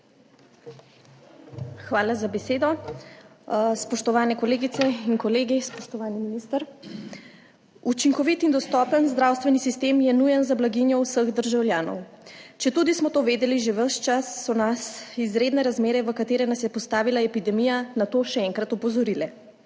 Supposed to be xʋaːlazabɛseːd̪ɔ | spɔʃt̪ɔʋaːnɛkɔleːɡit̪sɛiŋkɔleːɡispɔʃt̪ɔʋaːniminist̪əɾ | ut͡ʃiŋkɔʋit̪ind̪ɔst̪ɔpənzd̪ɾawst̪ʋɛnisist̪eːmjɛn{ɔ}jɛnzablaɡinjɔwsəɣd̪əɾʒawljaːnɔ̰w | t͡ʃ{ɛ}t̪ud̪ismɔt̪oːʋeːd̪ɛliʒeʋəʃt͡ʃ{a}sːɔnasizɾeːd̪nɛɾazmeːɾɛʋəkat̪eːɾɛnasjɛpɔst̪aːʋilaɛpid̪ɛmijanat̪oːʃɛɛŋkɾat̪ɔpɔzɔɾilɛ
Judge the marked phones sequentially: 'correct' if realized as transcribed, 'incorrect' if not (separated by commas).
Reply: incorrect, correct, correct